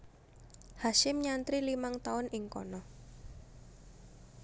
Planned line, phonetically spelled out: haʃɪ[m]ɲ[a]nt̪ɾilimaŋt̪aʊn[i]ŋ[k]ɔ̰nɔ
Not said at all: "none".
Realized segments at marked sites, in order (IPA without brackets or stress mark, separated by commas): m, a, ɪ, k